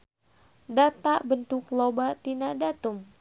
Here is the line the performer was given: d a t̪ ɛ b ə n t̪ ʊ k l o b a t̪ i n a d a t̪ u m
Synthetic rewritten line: d a t̪ a b ə n t̪ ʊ k l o b a t̪ i n a d a t̪ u m